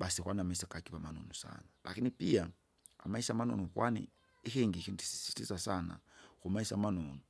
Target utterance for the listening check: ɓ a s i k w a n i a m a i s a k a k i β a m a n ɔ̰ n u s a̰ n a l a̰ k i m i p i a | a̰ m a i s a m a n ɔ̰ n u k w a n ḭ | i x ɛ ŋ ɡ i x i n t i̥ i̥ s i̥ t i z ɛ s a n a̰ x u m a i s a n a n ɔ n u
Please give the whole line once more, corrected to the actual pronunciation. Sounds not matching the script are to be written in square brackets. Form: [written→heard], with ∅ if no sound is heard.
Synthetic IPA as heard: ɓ a s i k w a n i a m a i s a k a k i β a m a n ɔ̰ n u s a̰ n a l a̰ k i [m→n] i p i a | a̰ m a i s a m a n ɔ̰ n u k w a n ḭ | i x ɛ ŋ ɡ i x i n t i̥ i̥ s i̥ t i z [ɛ→a] s a n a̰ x u m a i s a [n→m] a n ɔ n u